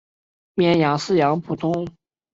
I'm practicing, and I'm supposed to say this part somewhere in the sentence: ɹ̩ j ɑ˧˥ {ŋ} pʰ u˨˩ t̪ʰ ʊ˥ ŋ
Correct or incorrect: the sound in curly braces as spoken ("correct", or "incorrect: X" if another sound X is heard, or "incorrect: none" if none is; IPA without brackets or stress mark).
correct